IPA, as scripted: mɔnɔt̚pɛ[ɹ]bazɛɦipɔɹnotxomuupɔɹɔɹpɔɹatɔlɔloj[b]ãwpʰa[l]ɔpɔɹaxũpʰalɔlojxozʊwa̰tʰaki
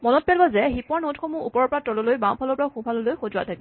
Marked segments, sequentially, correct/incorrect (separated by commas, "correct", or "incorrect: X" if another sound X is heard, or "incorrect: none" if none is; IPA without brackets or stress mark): incorrect: l, correct, correct